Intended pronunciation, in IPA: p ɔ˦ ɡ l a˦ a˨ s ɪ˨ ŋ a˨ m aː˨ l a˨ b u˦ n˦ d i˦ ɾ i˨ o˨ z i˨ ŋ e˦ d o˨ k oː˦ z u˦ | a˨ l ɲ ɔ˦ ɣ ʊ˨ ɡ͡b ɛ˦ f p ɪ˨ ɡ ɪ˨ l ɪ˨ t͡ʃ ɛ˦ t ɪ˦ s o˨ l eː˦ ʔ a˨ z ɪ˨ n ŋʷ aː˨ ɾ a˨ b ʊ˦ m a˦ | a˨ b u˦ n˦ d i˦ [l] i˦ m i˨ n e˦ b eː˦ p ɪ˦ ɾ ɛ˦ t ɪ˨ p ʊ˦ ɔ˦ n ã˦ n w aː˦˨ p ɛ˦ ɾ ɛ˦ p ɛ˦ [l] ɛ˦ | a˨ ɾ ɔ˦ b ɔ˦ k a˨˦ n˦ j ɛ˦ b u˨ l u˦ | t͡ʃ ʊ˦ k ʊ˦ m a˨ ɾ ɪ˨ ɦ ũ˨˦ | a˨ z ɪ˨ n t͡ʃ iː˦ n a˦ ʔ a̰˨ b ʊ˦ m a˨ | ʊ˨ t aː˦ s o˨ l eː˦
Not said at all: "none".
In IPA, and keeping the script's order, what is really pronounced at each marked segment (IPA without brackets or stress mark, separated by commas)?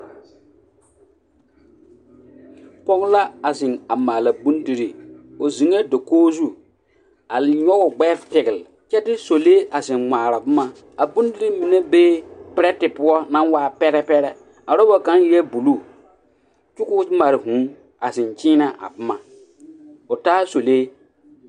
ɾ, ɾ